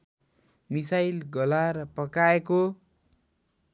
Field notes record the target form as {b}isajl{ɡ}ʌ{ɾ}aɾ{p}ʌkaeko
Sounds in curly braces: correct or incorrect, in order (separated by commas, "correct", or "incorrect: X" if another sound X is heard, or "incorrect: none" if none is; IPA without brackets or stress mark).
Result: incorrect: m, correct, incorrect: l, correct